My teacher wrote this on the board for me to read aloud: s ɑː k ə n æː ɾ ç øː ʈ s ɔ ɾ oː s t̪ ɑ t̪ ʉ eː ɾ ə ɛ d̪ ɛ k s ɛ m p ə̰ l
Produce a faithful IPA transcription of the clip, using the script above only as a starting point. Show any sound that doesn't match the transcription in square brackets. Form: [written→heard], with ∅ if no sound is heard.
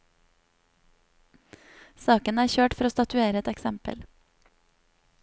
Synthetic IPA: s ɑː k ə n æː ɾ ç øː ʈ [s→f] ɔ ɾ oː s t̪ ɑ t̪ ʉ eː ɾ ə ɛ [d̪→t̪] ɛ k s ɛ m p ə̰ l